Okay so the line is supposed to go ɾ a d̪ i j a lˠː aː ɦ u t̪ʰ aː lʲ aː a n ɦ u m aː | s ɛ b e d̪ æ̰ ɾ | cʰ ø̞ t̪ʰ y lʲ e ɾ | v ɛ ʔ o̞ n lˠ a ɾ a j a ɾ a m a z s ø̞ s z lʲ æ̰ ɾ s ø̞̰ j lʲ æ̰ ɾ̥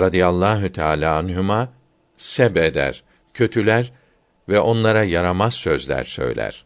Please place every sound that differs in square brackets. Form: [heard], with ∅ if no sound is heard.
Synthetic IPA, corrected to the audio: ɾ a d̪ i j a lˠː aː ɦ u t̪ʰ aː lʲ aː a n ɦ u m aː | s ɛ b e d̪ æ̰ ɾ | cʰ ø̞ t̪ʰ y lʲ [æ] ɾ | v ɛ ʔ o̞ n lˠ a ɾ a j a ɾ a m a z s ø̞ [∅] z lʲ æ̰ ɾ s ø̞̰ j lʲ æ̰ ɾ̥